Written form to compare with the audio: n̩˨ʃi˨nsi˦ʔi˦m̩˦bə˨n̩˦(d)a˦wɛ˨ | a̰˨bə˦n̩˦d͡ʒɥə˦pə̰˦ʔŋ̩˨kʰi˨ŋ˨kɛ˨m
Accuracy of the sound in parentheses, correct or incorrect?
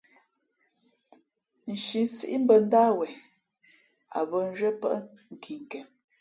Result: correct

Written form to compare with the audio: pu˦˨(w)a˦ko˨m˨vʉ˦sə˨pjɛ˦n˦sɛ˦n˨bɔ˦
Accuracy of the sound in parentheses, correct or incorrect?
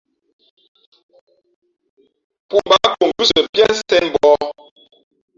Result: incorrect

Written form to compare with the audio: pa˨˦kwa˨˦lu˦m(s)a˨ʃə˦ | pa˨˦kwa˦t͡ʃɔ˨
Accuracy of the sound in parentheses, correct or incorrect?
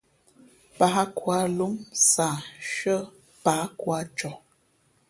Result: correct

